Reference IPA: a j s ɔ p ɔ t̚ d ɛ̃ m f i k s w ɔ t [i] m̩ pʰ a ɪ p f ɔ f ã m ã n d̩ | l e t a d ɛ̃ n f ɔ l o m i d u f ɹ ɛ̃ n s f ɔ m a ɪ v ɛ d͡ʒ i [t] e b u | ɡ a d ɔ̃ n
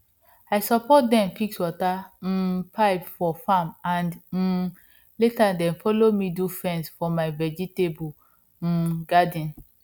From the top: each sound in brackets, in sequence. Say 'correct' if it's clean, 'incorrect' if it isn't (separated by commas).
incorrect, correct